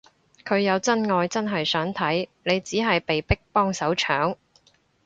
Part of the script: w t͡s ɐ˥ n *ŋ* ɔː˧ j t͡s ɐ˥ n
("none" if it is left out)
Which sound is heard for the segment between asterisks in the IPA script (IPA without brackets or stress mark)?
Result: ŋ